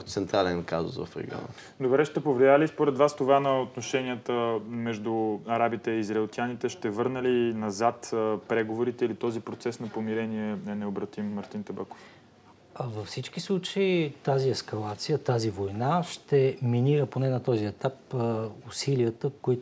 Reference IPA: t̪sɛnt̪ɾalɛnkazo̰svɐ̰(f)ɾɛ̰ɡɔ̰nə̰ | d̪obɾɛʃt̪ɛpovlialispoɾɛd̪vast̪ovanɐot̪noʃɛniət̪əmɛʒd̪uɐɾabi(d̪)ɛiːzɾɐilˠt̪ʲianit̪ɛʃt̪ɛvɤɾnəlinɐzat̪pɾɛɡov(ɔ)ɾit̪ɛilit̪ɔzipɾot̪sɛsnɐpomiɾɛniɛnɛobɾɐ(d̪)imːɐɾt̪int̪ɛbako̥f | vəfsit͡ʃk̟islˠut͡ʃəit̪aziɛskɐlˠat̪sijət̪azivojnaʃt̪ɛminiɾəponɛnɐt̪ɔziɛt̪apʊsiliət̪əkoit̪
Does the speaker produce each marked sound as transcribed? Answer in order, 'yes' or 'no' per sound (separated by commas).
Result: yes, no, no, no